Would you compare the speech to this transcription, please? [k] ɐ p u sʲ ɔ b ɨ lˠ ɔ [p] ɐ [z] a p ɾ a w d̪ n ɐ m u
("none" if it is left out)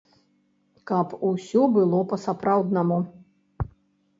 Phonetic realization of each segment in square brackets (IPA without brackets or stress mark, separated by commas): k, p, s